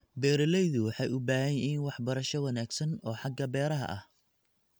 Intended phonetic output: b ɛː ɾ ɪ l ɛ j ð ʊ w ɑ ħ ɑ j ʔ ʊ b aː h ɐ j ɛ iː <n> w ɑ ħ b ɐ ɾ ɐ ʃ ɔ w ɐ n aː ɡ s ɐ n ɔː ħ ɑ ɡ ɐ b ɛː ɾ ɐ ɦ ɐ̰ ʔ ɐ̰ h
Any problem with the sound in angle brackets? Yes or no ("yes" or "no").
no